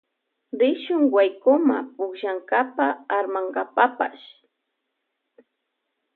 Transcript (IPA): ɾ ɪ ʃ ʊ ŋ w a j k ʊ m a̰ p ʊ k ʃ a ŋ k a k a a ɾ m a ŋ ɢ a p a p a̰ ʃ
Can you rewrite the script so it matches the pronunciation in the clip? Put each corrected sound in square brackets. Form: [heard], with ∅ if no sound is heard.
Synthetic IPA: ɾ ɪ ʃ ʊ ŋ w a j k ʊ m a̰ p ʊ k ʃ a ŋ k a [p] a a ɾ m a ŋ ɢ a p a p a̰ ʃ